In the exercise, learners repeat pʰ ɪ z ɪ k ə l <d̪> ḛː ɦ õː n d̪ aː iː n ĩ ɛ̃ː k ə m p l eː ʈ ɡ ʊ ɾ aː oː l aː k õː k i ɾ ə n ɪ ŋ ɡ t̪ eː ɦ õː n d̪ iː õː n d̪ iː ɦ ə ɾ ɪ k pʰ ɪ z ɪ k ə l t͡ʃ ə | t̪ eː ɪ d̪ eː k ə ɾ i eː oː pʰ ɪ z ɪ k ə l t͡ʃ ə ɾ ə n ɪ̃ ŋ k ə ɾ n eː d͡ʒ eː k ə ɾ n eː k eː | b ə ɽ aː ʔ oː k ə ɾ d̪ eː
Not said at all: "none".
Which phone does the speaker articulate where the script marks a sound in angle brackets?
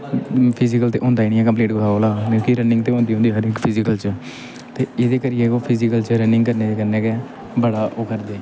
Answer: t̪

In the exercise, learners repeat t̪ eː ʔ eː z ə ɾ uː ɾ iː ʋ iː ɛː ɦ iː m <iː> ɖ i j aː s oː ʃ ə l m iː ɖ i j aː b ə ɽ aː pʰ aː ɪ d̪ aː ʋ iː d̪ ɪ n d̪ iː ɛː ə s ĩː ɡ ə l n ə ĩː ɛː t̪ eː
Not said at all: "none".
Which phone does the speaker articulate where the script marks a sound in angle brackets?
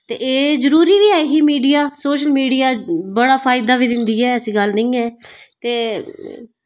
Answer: iː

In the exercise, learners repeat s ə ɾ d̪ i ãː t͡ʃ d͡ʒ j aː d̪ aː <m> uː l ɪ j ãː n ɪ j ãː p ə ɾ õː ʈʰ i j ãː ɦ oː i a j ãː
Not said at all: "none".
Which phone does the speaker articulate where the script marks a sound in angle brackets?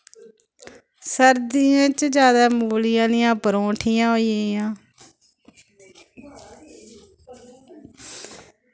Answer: m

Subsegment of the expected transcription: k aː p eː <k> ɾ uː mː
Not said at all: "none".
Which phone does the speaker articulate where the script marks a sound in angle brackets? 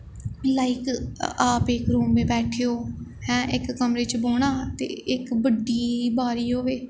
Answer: k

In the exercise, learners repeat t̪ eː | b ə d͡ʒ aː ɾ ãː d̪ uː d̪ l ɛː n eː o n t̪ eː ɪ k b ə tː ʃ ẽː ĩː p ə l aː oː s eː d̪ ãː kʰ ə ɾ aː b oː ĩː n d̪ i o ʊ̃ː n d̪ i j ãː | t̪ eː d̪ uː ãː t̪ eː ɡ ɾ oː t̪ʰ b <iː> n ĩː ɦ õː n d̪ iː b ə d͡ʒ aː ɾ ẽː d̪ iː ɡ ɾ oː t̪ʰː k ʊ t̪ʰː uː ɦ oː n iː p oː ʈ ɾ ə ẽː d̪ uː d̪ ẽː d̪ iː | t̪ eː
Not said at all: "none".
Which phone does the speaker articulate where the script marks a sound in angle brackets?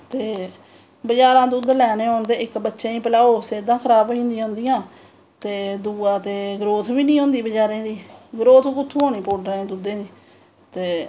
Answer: iː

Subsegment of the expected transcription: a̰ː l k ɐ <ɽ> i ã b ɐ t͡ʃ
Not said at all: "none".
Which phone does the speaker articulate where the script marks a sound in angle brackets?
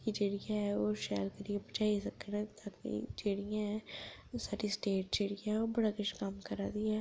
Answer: ɾ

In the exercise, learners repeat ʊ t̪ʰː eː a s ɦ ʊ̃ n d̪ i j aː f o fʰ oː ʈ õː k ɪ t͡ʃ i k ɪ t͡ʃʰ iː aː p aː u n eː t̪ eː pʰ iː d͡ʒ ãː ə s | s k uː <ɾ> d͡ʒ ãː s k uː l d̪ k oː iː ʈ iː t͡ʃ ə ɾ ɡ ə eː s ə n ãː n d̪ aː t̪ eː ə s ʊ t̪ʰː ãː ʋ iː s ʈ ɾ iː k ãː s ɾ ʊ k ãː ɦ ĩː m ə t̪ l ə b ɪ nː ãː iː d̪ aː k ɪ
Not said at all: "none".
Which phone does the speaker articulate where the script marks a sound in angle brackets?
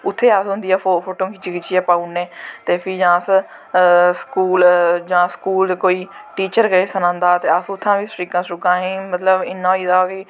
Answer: l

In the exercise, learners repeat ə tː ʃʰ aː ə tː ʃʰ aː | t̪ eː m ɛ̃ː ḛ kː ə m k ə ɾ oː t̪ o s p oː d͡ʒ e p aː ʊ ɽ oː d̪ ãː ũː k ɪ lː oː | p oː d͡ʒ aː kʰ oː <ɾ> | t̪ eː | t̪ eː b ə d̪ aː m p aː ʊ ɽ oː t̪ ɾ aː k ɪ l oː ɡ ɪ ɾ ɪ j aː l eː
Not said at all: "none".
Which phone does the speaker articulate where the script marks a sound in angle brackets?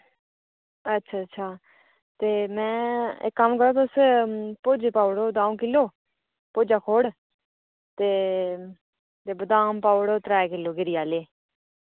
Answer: ɽ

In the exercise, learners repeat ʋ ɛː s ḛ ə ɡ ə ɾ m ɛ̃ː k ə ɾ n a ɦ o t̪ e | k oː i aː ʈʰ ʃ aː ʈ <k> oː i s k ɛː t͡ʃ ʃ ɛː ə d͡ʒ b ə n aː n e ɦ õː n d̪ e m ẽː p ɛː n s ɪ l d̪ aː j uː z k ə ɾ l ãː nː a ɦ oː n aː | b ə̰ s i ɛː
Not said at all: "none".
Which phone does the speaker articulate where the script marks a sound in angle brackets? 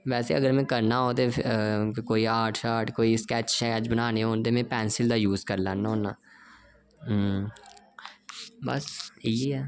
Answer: k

